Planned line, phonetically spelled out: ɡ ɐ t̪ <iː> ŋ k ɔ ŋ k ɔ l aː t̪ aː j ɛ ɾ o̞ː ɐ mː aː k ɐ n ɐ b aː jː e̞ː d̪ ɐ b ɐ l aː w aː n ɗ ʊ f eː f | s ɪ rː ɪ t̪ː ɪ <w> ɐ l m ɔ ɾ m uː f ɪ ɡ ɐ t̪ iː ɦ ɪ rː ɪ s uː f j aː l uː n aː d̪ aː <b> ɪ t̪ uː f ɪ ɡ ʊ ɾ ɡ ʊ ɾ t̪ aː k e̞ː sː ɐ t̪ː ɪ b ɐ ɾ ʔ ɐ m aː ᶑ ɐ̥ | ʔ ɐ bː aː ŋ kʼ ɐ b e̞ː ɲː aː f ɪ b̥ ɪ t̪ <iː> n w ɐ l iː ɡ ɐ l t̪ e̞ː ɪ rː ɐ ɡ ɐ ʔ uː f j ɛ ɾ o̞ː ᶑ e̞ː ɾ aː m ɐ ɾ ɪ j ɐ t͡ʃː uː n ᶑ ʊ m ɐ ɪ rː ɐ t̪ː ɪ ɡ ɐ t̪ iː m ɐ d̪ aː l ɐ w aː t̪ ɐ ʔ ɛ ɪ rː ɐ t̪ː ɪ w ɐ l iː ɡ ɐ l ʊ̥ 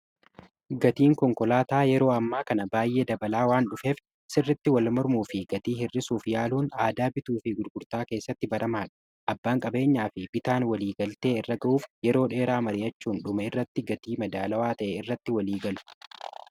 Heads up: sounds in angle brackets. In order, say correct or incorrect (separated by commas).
correct, correct, correct, incorrect